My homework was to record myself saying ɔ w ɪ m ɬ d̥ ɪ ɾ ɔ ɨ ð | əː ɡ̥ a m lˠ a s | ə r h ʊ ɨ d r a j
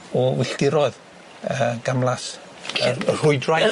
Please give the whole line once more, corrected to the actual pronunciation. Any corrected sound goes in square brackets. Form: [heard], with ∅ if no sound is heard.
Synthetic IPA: ɔ w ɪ [∅] ɬ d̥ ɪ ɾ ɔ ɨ ð | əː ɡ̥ a m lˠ a s | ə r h ʊ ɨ d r a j